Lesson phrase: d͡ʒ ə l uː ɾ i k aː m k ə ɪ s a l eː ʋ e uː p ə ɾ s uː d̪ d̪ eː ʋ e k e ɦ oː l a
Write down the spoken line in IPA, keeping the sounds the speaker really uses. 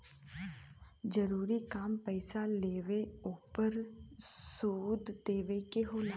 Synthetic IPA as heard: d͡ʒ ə ɾ uː ɾ i k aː m p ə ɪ s a l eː ʋ e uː p ə ɾ s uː d̪ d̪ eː ʋ e k e ɦ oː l a